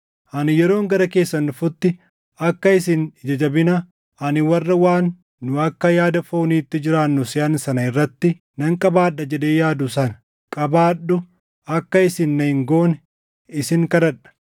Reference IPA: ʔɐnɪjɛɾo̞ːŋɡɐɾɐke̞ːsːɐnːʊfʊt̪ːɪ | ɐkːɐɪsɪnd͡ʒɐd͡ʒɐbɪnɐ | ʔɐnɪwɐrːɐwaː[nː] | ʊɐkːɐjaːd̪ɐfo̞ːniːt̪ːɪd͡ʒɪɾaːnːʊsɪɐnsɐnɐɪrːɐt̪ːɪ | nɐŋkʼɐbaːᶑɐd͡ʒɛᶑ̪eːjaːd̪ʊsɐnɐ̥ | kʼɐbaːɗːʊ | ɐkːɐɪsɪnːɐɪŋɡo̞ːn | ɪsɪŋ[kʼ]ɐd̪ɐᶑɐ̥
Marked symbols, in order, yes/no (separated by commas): yes, no